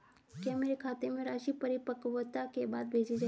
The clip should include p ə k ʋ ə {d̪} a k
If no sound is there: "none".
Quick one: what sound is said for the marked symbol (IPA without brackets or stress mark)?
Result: t̪